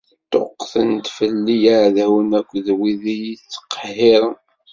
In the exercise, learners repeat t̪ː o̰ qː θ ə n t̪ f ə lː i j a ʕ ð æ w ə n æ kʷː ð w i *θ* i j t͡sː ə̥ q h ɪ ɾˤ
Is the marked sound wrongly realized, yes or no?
yes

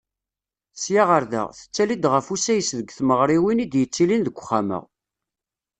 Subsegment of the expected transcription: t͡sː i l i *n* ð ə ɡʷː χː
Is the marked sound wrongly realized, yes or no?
no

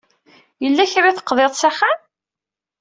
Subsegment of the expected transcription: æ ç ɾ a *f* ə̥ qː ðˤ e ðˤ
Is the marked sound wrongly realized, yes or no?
yes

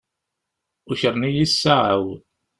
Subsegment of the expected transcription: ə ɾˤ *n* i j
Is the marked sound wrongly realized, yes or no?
no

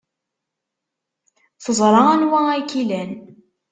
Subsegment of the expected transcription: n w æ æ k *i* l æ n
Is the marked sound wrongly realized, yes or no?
no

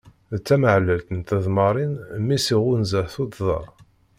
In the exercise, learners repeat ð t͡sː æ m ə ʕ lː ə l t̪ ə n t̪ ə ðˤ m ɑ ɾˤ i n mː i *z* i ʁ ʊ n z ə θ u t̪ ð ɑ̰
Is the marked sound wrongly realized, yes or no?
yes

